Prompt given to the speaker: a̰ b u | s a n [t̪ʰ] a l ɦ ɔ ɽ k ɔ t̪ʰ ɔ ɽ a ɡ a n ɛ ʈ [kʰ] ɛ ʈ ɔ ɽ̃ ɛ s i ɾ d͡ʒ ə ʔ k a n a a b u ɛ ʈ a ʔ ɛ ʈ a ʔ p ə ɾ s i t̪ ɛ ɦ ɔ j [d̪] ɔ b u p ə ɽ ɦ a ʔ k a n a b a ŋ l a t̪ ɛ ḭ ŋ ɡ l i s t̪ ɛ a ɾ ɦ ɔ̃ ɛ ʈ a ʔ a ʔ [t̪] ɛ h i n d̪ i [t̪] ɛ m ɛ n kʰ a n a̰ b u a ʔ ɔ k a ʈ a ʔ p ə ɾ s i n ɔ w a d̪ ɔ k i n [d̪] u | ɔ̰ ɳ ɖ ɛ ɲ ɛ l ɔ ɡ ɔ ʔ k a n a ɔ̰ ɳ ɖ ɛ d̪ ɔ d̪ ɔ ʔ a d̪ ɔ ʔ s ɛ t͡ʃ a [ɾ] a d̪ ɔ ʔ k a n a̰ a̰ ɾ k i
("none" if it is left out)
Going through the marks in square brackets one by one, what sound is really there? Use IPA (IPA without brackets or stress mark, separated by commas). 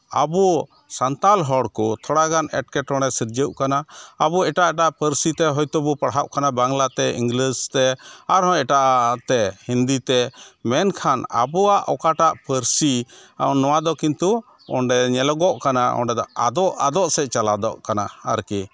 t̪, k, t̪, t̪, t̪, t̪, l